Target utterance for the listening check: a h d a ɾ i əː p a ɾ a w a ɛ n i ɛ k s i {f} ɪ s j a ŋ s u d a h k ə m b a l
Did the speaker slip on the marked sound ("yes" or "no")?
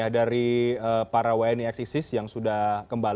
yes